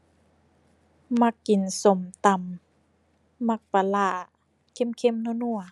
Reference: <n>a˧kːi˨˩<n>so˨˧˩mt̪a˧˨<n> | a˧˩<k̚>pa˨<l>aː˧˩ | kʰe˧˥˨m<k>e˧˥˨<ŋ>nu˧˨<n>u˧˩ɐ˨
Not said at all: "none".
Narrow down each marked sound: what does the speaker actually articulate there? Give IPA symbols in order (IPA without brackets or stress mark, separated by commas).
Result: m, n, m, k̚, l, kʰ, m, n